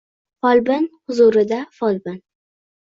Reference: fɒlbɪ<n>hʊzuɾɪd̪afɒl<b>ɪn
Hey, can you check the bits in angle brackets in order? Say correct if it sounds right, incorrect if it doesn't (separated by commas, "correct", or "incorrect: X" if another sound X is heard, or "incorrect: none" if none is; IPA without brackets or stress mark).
correct, correct